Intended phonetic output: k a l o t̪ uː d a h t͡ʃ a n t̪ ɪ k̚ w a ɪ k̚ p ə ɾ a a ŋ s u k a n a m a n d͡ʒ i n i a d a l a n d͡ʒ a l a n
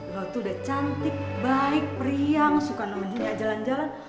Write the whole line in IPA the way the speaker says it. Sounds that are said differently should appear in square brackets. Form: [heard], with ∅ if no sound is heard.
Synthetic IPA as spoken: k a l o t̪ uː d a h t͡ʃ a n t̪ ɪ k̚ [b] a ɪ k̚ p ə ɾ [i] a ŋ s u k a n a m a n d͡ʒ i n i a [d͡ʒ] a l a n d͡ʒ a l a n